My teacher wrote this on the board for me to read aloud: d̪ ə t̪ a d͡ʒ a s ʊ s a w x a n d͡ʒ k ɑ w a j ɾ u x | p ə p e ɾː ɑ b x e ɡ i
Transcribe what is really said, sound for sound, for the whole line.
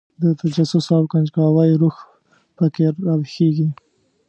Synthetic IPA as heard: d̪ ə t̪ a d͡ʒ a s ʊ s a w k a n d͡ʒ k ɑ w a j ɾ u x | p ə k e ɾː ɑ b x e ɡ i